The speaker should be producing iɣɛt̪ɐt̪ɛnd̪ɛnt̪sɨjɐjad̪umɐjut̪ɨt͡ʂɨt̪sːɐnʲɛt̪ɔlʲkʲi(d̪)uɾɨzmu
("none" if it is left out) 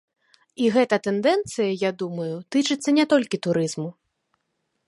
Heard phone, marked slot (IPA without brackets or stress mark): t̪